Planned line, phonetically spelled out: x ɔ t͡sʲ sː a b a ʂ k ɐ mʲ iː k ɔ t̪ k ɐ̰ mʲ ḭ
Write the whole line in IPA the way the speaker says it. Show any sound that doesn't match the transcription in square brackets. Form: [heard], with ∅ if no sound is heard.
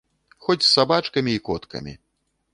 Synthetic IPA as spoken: x ɔ t͡sʲ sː a b a [t͡ʂ] k ɐ mʲ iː k ɔ t̪ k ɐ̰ mʲ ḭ